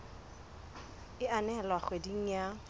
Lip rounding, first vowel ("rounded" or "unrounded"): unrounded